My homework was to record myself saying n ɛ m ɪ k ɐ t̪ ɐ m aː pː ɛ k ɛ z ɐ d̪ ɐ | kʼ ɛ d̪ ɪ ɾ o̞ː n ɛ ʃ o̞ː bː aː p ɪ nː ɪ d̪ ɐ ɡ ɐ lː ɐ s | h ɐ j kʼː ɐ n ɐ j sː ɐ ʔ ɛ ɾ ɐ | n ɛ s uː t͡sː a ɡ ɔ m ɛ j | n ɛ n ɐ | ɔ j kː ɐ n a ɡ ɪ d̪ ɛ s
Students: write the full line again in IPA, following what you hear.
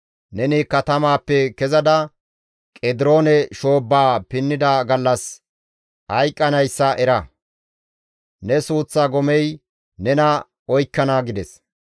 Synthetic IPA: n ɛ n ɪ k ɐ t̪ ɐ m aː pː ɛ k ɛ z ɐ d̪ ɐ | kʼ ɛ d̪ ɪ ɾ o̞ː n ɛ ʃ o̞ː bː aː p ɪ nː ɪ d̪ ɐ ɡ ɐ lː ɐ s | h ɐ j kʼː ɐ n ɐ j sː ɐ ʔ ɛ ɾ ɐ | n ɛ s uː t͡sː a ɡ ɔ m ɛ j | n ɛ n ɐ | ɔ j kː ɐ n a ɡ ɪ d̪ ɛ s

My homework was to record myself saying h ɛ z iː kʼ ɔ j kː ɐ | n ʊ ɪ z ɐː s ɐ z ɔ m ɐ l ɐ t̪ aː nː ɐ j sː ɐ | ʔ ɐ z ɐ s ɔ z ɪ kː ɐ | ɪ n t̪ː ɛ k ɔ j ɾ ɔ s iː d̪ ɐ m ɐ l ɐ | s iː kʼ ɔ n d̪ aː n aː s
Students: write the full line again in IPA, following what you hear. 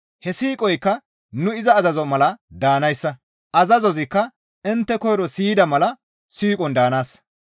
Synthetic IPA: h ɛ s iː kʼ ɔ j kː ɐ | n ʊ ɪ z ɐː z ɐ z ɔ m ɐ l ɐ d̪ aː n ɐ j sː ɐ | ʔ ɐ z ɐ z ɔ z ɪ kː ɐ | ɪ n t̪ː ɛ k ɔ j ɾ ɔ s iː d̪ ɐ m ɐ l ɐ | s iː kʼ ɔ n d̪ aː n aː s

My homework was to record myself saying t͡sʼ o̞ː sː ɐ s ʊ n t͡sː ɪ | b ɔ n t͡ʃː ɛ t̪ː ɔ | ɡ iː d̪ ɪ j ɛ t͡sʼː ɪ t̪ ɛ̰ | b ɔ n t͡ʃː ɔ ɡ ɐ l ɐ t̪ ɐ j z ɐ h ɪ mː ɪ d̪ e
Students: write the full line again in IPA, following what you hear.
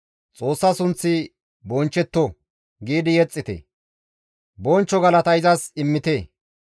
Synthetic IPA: t͡sʼ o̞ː sː ɐ s ʊ n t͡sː ɪ | b ɔ n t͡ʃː ɛ t̪ː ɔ | ɡ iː d̪ ɪ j ɛ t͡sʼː ɪ t̪ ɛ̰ | b ɔ n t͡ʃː ɔ ɡ ɐ l ɐ t̪ ɐ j z ɐ s ɪ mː ɪ t̪ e

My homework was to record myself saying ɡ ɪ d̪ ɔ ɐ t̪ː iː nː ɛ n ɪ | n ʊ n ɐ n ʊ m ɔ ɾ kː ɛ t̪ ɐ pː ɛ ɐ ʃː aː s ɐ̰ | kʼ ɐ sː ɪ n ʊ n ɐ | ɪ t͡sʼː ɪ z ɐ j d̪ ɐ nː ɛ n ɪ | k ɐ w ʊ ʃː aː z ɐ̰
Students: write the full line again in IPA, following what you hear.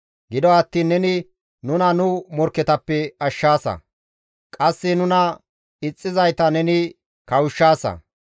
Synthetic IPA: ɡ ɪ d̪ ɔ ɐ t̪ː iː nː ɛ n ɪ | n ʊ n ɐ n ʊ m ɔ ɾ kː ɛ t̪ ɐ pː ɛ ɐ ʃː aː s ɐ̰ | kʼ ɐ sː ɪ n ʊ n ɐ | ɪ t͡sʼː ɪ z ɐ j t̪ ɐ n ɛ n ɪ | k ɐ w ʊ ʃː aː s ɐ̰

